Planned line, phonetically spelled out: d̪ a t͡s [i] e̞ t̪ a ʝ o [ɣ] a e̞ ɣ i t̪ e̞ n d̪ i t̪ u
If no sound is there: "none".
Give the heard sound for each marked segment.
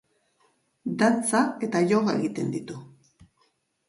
a, ɣ

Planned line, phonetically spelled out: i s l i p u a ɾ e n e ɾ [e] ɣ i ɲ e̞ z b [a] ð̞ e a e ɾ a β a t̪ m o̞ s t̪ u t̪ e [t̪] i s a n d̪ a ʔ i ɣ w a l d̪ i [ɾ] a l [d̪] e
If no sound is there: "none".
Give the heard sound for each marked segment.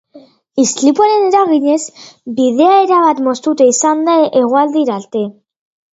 a, i, none, ɾ, t̪

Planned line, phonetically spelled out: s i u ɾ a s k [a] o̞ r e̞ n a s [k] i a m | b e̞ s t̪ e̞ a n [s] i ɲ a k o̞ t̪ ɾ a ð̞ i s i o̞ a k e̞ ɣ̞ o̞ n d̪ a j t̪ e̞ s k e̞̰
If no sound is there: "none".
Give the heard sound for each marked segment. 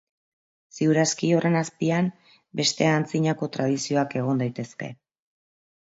i, p, t͡s

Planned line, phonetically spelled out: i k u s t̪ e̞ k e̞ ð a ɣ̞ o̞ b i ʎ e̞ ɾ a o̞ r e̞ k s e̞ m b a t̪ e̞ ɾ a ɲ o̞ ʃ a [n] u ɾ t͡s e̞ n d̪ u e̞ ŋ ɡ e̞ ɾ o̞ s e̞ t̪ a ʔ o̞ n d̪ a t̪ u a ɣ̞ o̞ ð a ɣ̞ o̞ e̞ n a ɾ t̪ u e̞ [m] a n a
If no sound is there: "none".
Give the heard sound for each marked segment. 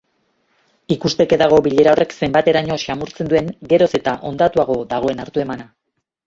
m, m

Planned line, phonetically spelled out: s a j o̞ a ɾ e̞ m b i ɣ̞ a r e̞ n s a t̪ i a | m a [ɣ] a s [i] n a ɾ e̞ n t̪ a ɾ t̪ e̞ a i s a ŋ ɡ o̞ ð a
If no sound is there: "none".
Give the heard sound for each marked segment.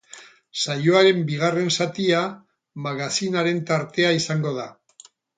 ɣ, i

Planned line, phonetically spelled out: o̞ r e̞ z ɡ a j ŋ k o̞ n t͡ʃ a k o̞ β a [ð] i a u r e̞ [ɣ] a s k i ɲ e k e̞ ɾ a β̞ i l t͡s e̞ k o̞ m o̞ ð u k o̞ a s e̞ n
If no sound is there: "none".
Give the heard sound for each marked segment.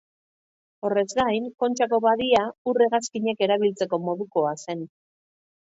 ð, ɣ

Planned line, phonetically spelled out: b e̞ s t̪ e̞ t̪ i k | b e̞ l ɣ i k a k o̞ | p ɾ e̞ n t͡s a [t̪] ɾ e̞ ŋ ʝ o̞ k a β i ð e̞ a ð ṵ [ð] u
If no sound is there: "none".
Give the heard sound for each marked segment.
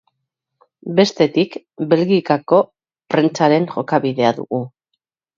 none, ɣ

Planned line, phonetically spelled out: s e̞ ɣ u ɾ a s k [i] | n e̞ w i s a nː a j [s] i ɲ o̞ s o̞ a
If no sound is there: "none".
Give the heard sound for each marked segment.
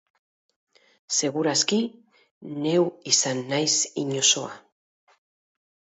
i, s

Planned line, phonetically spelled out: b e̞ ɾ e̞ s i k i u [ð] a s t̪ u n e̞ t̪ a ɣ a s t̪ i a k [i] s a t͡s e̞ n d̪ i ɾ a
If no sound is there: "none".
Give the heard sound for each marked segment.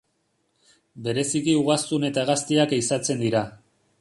ɣ, i

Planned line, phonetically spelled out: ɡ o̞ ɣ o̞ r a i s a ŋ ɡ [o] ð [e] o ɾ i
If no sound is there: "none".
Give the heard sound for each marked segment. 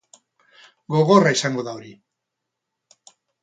o, a

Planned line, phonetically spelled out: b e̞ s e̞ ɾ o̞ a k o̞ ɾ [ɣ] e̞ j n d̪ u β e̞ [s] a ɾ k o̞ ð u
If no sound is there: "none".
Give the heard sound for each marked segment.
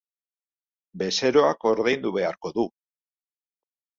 ð, none

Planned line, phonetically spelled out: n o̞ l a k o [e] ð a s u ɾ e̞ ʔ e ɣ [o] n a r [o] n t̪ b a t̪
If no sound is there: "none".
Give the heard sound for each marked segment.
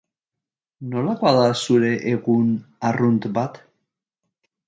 a, u, u

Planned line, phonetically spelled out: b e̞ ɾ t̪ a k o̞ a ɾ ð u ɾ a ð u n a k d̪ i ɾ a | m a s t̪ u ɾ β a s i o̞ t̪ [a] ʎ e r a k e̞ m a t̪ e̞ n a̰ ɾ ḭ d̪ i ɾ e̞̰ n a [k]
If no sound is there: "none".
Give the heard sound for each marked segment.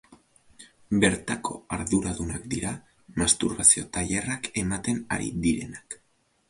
a, k

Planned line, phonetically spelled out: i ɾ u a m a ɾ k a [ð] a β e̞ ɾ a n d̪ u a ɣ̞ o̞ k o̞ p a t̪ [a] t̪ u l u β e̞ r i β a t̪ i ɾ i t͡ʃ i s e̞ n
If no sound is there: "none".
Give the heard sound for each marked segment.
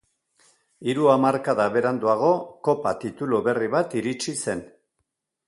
ð, i

